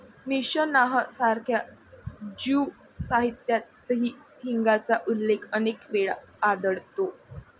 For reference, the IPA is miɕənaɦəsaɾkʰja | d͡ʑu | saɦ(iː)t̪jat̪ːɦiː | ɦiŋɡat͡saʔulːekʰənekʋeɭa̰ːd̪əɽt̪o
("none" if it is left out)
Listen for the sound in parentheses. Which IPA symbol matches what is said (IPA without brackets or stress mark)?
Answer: i